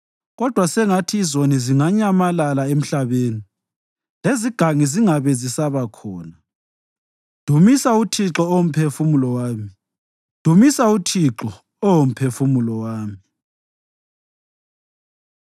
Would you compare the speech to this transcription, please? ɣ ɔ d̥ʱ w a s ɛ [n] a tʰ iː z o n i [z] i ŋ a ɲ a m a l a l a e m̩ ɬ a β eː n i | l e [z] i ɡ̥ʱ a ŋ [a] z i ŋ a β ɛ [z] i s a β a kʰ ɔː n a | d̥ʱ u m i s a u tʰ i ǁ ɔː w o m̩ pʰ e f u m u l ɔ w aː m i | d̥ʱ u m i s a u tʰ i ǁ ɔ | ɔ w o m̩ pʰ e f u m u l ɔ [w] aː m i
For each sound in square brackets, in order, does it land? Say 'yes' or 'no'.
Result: no, yes, yes, no, yes, yes

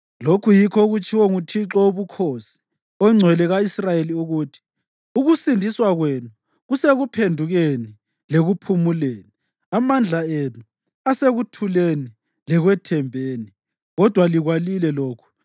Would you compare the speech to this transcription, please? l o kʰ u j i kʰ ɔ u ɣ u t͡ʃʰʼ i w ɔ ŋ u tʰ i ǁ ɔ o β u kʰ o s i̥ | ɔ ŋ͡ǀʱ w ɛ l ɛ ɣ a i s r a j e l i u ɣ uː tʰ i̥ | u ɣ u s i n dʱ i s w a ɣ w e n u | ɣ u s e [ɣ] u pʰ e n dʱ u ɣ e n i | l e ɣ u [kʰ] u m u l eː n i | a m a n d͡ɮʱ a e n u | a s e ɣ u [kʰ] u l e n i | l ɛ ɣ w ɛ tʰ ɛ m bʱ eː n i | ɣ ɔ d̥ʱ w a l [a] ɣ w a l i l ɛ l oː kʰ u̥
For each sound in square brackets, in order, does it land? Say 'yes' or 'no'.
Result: yes, no, no, no

